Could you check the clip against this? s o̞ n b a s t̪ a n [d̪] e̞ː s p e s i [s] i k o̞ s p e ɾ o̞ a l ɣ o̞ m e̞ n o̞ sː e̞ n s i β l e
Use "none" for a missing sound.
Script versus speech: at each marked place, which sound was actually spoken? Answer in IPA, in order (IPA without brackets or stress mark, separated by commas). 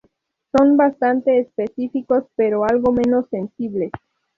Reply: t̪, f